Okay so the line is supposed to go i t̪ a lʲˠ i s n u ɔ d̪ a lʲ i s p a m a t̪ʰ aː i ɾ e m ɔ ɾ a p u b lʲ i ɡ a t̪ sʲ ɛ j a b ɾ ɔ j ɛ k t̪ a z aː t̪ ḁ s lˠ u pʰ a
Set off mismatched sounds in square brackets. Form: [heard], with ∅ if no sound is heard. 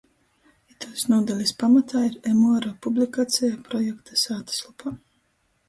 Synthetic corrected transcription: i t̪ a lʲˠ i s n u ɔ d̪ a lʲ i s p a m a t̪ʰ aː i ɾ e m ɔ ɾ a p u b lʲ i [k] a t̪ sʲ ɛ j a [p] ɾ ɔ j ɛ k t̪ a [s] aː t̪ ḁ s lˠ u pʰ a